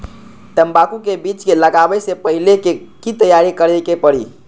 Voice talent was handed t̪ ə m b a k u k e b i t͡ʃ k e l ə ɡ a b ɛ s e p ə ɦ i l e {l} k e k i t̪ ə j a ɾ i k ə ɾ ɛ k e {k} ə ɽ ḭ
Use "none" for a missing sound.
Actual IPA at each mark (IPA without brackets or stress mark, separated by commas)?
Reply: none, p